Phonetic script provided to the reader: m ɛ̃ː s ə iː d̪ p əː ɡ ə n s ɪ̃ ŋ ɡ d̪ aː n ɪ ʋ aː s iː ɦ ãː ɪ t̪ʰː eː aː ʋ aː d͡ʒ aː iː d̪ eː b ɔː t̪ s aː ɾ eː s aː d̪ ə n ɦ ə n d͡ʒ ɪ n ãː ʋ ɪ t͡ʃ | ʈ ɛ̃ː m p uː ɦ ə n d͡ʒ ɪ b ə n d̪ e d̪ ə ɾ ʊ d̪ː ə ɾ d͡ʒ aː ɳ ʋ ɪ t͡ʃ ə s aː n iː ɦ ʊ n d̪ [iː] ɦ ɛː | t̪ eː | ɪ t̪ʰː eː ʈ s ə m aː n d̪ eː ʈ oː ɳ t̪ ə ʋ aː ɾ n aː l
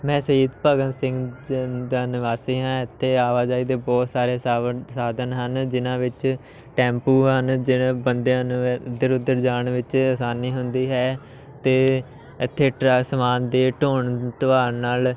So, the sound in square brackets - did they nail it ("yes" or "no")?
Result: yes